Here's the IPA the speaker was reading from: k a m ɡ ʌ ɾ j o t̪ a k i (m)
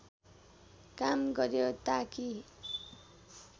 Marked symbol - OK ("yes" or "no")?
no